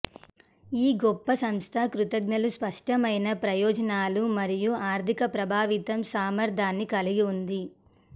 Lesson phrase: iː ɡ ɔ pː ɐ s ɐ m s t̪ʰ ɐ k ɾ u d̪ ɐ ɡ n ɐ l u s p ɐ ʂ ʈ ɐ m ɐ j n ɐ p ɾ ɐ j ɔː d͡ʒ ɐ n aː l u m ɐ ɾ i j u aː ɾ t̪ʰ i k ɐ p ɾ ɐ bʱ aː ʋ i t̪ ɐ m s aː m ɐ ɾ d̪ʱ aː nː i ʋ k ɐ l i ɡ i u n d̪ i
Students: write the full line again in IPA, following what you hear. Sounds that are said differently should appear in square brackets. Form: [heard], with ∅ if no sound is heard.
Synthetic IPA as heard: iː ɡ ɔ pː ɐ s ɐ m s t̪ʰ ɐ k ɾ u [t̪] ɐ ɡ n ɐ l u s p ɐ ʂ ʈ ɐ m ɐ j n ɐ p ɾ ɐ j ɔː d͡ʒ ɐ n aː l u m ɐ ɾ i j u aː ɾ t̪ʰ i k ɐ p ɾ ɐ bʱ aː ʋ i t̪ ɐ m s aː m ɐ ɾ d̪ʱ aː nː i [∅] k ɐ l i ɡ i u n d̪ i